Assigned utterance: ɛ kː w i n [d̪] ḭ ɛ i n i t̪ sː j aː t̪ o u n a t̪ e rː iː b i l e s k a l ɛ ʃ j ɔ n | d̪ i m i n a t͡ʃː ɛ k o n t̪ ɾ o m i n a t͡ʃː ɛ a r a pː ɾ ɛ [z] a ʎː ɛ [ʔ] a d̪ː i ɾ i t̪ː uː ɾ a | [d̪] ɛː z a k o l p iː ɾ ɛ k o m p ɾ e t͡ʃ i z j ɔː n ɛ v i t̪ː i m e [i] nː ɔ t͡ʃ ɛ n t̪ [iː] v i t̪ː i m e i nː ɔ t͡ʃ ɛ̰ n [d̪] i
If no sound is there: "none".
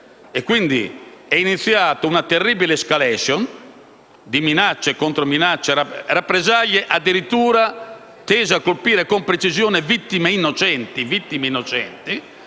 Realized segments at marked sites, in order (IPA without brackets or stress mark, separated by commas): d̪, z, ʔ, t̪, i, i, t̪